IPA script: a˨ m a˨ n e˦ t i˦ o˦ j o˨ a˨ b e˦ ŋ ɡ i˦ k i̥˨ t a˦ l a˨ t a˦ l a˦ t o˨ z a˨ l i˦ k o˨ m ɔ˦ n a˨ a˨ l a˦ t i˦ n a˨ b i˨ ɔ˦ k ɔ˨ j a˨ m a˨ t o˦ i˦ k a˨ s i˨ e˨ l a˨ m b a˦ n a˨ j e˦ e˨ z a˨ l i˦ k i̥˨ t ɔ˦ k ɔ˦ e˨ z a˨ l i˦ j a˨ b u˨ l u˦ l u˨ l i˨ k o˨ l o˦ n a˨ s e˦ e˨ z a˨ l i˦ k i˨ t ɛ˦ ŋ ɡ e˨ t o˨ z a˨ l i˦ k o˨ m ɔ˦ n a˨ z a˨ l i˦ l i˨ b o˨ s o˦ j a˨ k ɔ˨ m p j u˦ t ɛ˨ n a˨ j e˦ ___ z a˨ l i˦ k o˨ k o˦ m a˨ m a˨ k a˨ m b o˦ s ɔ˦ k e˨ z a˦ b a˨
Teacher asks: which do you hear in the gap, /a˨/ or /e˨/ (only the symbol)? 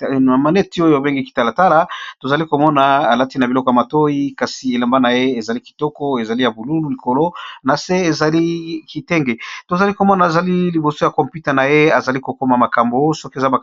a˨